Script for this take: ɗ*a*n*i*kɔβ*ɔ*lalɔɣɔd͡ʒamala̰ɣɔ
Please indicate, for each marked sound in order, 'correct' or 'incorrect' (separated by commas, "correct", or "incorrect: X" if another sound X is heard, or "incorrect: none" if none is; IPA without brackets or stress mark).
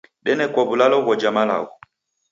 incorrect: ɛ, incorrect: ɛ, incorrect: u